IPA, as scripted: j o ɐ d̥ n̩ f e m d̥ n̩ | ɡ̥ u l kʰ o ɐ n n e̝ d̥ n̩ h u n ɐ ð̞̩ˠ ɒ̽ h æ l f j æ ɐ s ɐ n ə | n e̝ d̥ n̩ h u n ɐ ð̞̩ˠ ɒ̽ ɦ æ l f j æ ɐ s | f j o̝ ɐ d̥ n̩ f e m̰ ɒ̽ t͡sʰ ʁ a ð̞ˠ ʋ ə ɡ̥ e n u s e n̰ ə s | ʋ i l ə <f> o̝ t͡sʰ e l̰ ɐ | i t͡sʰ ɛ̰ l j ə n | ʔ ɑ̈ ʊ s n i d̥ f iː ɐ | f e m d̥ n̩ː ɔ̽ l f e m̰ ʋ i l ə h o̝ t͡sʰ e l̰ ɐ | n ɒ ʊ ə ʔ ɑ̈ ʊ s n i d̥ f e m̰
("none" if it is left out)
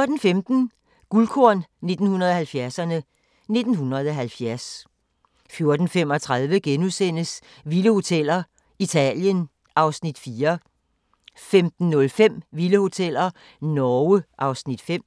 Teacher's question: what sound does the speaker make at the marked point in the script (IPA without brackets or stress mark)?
h